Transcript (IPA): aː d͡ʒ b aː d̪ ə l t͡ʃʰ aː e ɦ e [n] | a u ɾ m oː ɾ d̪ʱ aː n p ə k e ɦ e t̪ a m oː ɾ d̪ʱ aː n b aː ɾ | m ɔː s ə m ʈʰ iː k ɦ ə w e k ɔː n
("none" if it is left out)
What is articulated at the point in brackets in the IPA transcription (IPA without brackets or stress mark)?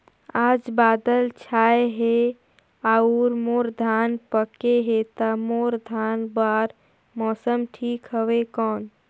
none